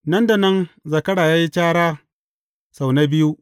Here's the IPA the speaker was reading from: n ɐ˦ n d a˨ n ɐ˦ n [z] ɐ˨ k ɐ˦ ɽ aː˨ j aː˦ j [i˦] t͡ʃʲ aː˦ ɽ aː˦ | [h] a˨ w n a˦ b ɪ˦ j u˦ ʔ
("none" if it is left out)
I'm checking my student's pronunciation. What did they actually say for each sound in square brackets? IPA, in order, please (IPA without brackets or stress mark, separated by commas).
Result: z, i˦, s